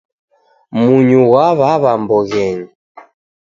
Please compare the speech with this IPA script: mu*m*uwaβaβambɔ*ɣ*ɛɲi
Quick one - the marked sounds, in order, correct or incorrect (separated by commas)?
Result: incorrect, correct